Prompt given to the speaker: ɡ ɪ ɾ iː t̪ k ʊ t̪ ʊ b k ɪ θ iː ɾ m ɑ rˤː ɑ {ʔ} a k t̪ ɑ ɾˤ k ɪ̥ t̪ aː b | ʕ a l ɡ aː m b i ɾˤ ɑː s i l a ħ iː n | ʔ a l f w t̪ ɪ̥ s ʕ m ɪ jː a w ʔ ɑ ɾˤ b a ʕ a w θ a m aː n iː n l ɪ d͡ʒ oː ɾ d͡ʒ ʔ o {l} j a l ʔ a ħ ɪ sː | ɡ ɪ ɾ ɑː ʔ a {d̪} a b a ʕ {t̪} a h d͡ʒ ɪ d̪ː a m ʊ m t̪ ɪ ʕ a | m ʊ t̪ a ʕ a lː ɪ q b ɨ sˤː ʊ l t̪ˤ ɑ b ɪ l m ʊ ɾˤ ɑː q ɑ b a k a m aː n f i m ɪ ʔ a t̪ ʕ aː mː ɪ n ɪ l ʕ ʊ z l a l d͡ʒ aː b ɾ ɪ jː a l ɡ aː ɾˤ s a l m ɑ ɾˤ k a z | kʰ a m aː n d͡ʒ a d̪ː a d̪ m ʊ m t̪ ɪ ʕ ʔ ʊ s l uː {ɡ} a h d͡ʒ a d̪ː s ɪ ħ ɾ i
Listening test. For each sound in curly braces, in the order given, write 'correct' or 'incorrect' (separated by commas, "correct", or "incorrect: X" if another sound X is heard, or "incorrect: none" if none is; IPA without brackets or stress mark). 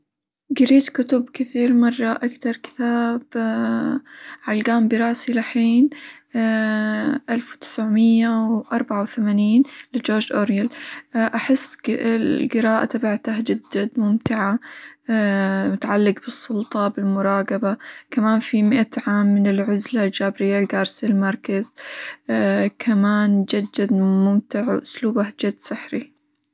correct, incorrect: ɾ, incorrect: t̪, correct, incorrect: b